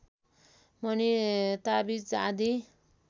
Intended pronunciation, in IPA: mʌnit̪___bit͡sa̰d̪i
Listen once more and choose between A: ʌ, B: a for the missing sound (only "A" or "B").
B